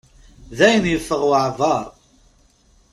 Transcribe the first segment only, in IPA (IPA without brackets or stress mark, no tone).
ð